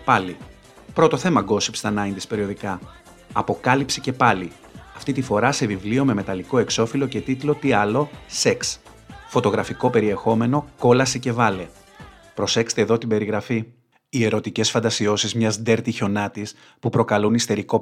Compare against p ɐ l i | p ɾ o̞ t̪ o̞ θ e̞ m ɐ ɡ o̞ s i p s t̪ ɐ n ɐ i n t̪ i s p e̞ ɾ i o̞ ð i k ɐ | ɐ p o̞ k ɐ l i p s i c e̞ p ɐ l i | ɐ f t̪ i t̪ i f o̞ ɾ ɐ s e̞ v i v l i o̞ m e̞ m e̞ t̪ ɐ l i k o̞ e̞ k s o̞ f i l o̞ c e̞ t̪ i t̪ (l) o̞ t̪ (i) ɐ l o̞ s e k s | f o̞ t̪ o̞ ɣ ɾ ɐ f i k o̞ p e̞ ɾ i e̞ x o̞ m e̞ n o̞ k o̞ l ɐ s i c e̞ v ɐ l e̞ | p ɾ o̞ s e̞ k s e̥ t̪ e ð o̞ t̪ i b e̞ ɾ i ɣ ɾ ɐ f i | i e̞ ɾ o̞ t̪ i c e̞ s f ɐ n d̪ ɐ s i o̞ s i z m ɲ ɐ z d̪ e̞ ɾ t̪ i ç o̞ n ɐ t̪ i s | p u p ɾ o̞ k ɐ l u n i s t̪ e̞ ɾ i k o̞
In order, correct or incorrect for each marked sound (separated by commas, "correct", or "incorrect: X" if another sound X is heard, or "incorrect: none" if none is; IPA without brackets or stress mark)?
correct, correct